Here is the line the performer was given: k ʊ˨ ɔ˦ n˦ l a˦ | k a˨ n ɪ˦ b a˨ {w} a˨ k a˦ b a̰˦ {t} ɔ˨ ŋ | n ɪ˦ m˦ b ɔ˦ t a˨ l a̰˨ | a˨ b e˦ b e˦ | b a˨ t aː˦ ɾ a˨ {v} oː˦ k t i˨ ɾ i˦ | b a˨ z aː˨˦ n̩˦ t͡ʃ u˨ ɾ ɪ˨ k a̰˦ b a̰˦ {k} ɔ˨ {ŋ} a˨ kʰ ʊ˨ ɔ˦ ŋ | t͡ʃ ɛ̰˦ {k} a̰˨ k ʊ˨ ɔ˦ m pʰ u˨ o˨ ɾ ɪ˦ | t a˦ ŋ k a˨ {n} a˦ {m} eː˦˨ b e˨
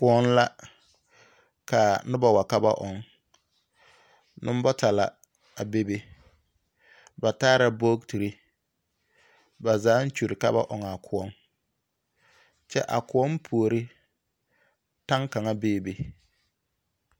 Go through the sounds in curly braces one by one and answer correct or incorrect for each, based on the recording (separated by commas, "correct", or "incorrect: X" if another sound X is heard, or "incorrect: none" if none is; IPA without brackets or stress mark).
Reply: correct, incorrect: ʔ, incorrect: b, incorrect: ʔ, correct, incorrect: ʔ, incorrect: ŋ, incorrect: b